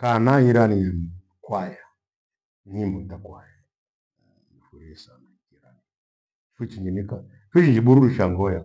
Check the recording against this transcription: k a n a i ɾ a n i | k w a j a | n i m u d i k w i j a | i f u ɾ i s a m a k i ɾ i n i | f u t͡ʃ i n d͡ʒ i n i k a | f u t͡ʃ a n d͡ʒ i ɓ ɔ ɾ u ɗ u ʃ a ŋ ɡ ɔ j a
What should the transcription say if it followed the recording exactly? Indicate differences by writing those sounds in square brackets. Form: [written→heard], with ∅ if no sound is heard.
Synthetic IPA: k a n a i ɾ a n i | k w a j a | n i m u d [i→a] k w [i→a] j a | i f u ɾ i s a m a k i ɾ [i→a] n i | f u t͡ʃ i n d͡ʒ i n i k a | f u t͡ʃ [a→i] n d͡ʒ i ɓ [ɔ→u] ɾ u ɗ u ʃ a ŋ ɡ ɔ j a